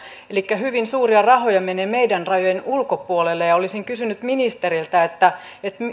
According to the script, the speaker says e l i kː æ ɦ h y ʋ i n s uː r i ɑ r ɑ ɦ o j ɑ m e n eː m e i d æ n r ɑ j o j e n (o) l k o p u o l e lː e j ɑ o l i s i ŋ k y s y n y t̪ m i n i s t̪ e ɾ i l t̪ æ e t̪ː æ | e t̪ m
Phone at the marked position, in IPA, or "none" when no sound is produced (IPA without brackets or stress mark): u